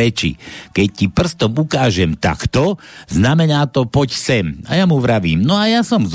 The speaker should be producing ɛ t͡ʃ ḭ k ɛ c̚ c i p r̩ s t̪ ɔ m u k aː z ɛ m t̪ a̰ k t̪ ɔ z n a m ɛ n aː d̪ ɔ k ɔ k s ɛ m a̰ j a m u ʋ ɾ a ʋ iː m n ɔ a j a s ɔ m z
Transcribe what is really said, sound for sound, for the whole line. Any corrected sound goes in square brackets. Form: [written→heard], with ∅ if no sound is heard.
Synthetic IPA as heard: ɛ t͡ʃ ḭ k ɛ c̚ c i p r̩ s t̪ ɔ m u k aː [z→ʒ] ɛ m t̪ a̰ k t̪ ɔ z n a m ɛ n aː [d̪→t̪] ɔ [k→p] ɔ [k→c] s ɛ m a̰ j a m u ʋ ɾ a ʋ iː m n ɔ a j a s ɔ m z